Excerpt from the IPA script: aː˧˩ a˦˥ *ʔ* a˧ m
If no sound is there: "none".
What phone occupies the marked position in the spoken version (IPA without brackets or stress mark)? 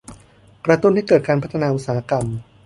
k